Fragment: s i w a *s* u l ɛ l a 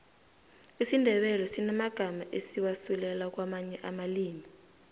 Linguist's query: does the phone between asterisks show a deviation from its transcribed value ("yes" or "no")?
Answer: no